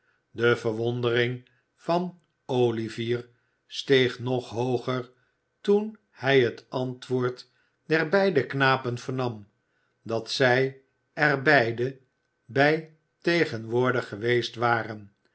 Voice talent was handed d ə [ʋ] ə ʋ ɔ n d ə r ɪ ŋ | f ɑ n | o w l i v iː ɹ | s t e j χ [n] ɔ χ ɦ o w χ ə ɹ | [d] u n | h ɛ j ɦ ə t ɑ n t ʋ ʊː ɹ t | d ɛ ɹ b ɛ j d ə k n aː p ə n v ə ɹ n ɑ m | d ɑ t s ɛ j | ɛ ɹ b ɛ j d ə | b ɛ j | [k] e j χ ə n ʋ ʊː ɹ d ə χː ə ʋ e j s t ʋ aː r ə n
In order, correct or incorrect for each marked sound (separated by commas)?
incorrect, correct, incorrect, incorrect